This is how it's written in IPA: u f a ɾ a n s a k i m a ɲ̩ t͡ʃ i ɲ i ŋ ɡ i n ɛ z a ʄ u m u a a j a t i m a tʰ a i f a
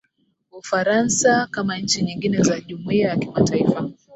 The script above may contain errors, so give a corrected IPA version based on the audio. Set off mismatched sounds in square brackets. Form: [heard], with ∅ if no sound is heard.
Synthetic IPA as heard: u f a ɾ a n s a k [a] m a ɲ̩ t͡ʃ i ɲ i ŋ ɡ i n ɛ z a ʄ u m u [i] a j a [k] i m a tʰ a i f a

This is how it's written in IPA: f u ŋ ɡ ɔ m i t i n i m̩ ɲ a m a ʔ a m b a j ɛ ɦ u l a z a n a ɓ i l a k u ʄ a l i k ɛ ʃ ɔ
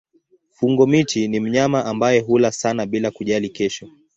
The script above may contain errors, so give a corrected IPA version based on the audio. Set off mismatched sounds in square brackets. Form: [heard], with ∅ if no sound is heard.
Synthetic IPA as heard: f u ŋ ɡ ɔ m i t i n i m̩ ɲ a m a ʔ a m b a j ɛ ɦ u l a [s] a n a ɓ i l a k u ʄ a l i k ɛ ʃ ɔ

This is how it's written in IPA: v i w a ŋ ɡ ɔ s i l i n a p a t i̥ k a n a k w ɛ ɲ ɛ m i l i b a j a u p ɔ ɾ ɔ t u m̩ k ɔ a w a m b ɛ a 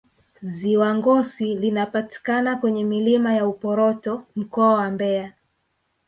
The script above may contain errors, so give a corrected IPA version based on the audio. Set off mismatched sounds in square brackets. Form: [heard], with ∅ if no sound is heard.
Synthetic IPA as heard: [z] i w a ŋ ɡ ɔ s i l i n a p a t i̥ k a n a k w ɛ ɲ ɛ m i l i [m] a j a u p ɔ ɾ ɔ t [ɔ] m̩ k ɔ a w a m b ɛ a

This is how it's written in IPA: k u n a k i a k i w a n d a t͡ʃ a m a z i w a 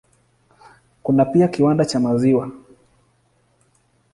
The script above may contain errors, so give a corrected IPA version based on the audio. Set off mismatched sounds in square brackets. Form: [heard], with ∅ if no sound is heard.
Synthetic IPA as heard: k u n a [p] i a k i w a n d a t͡ʃ a m a z i w a

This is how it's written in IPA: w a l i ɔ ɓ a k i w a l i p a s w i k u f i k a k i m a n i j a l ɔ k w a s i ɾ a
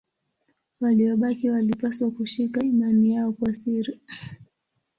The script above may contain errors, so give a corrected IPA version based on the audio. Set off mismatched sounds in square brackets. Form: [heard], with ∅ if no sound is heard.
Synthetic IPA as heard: w a l i ɔ ɓ a k i w a l i p a s w [a] k u [ʃ] i k a [∅] i m a n i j a [∅] ɔ k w a s i ɾ [i]

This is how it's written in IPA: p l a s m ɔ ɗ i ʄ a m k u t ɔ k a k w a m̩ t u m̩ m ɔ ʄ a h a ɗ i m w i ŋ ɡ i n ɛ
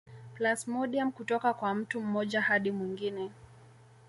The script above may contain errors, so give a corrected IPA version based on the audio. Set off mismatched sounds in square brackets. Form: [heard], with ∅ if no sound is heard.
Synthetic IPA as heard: p l a s m ɔ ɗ i [∅] a m k u t ɔ k a k w a m̩ t u m̩ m ɔ ʄ a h a ɗ i m w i ŋ ɡ i n ɛ

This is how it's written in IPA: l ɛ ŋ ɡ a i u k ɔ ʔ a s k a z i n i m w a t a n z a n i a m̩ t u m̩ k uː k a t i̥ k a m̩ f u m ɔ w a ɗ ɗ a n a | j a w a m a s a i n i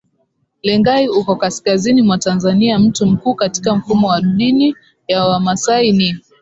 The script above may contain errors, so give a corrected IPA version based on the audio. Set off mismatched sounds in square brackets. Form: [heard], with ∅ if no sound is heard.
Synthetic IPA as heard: l ɛ ŋ ɡ a i u k ɔ [k] a s k a z i n i m w a t a n z a n i a m̩ t u m̩ k uː k a t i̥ k a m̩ f u m ɔ w a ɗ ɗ [i] n [i] | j a w a m a s a i n i

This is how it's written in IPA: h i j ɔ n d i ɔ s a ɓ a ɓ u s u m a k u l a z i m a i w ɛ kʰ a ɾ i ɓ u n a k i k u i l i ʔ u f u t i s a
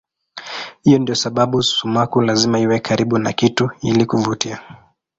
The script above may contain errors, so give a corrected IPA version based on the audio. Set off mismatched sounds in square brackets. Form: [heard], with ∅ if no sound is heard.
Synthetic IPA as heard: h i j ɔ n d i ɔ s a ɓ a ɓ u s u m a k u l a z i m a i w ɛ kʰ a ɾ i ɓ u n a k i [t] u i l i [k] u [v] u t i [∅] a

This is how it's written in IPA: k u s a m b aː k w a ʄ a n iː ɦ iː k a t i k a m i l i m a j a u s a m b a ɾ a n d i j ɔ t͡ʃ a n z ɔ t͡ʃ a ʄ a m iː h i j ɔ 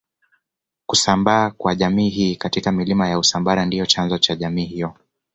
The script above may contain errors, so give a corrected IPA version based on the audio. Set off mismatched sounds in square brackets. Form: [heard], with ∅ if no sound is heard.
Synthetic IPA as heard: k u s a m b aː k w a ʄ a [m] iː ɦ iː k a t i k a m i l i m a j a u s a m b a ɾ a n d i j ɔ t͡ʃ a n z ɔ t͡ʃ a ʄ a m iː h i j ɔ

